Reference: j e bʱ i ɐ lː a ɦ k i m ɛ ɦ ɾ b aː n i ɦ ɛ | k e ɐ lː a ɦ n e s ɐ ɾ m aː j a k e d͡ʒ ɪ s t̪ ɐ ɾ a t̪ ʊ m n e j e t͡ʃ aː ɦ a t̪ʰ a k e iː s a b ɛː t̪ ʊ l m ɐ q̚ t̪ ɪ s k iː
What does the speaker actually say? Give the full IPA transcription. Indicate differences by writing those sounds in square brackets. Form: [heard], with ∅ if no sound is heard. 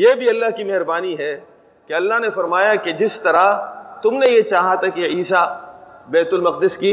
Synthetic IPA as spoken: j e bʱ i ɐ lː a ɦ k i m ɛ ɦ ɾ b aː n i ɦ ɛ | k e ɐ lː a ɦ n e [f] ɐ ɾ m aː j a k e d͡ʒ ɪ s t̪ ɐ ɾ a t̪ ʊ m n e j e t͡ʃ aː ɦ a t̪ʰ a k e iː s a b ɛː t̪ ʊ l m ɐ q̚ [d̪] ɪ s k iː